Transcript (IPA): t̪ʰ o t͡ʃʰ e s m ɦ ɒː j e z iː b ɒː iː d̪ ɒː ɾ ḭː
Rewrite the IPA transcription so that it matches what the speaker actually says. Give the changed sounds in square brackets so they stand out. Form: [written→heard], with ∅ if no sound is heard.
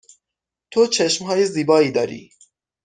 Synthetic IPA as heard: t̪ʰ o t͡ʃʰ e [s→ʃ] m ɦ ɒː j e z iː b ɒː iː d̪ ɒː ɾ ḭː